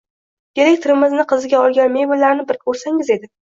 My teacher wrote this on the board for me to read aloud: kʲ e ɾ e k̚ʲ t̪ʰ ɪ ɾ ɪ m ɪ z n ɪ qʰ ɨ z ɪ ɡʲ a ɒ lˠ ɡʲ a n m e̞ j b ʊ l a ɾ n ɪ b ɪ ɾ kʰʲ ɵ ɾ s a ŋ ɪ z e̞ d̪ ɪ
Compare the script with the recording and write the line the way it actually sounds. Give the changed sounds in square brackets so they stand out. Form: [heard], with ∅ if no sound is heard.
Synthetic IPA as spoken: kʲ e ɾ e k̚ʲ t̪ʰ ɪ ɾ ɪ m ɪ z n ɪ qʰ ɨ z ɪ ɡʲ a ɒ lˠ ɡʲ a n m e̞ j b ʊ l a ɾ n ɪ b ɪ ɾ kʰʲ ɵ ɾ s a ŋ ɪ z e̞ d̪ ɪ